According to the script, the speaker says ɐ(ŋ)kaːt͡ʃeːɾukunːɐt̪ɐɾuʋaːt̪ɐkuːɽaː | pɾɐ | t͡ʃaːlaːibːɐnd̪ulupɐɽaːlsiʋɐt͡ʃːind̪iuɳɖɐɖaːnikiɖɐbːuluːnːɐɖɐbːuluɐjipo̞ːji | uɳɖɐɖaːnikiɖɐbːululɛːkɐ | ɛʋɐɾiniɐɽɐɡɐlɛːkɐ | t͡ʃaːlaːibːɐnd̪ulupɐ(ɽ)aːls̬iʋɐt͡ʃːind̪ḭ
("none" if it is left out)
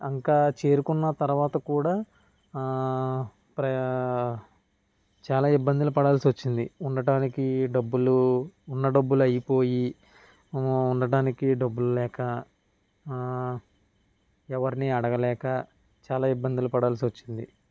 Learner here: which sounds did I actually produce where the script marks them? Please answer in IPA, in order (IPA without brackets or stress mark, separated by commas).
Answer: ŋ, ɽ